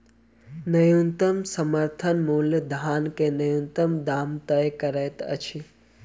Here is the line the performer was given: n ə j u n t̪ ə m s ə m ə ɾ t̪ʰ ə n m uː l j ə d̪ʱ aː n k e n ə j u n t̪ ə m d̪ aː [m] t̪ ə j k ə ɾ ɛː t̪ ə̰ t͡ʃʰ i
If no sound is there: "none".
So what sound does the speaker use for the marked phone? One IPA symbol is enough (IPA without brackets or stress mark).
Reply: m